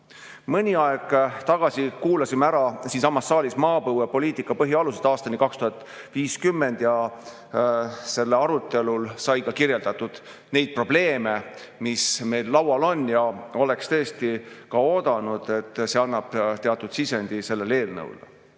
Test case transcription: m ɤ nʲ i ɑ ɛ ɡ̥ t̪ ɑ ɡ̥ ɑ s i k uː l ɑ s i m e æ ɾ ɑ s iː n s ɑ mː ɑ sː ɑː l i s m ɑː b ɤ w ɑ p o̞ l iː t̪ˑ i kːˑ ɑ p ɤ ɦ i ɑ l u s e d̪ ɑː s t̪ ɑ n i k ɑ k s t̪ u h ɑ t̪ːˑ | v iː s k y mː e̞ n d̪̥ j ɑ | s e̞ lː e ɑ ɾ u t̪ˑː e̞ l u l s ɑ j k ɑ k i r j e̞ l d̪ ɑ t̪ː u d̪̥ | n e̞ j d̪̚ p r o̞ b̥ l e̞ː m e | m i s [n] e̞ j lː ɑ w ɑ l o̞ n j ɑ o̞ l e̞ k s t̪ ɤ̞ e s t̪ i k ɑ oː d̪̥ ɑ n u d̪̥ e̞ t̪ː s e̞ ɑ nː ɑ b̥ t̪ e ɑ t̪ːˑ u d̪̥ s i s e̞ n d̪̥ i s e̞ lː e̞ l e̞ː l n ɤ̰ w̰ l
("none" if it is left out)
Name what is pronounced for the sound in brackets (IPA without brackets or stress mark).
m